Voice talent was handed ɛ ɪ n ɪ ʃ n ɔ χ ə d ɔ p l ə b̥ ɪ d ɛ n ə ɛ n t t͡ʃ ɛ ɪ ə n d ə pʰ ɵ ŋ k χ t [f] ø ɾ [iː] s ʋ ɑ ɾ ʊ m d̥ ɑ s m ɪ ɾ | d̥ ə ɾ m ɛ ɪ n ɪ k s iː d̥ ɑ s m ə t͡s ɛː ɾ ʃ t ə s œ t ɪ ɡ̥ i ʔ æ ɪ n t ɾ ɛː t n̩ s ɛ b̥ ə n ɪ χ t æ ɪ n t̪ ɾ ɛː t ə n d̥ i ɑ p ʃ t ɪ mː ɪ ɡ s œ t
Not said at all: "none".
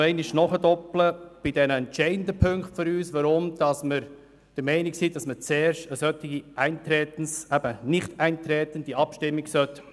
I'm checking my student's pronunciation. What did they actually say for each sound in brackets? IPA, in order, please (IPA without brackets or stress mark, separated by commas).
f, yː